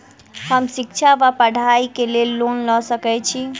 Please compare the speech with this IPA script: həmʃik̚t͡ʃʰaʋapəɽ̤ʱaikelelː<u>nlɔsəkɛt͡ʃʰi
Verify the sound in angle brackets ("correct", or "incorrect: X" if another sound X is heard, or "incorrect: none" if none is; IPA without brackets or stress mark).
incorrect: o